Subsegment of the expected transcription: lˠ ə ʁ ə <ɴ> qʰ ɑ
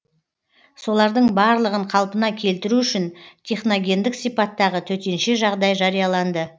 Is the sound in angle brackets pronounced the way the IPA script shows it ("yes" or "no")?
yes